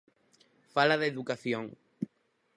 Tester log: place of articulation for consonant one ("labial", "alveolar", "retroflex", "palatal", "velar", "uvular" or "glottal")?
labial